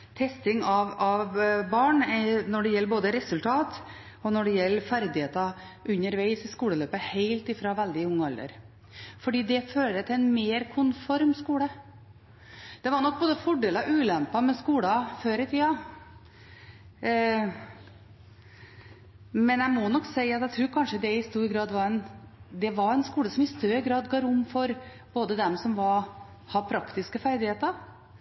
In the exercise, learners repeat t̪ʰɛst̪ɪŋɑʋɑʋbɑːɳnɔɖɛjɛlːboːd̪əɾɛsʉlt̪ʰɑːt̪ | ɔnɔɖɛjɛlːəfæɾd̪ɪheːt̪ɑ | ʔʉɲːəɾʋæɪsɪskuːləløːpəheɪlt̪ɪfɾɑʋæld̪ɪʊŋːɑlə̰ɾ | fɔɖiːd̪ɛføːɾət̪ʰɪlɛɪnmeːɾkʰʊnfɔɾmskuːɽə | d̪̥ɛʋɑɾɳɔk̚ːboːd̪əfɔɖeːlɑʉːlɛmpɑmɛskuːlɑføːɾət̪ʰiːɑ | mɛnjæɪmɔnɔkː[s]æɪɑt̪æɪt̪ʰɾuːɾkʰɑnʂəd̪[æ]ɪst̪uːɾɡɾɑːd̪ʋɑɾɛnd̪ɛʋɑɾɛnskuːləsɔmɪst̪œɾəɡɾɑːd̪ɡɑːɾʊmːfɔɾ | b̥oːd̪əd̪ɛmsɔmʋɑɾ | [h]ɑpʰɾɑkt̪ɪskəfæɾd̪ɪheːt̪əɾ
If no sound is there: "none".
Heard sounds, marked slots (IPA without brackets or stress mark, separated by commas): s, ɛ, h